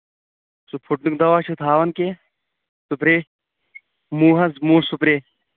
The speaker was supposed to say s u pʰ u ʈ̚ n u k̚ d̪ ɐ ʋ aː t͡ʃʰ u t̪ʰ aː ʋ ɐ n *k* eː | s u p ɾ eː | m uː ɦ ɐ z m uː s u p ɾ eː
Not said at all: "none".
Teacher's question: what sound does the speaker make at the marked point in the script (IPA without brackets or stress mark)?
k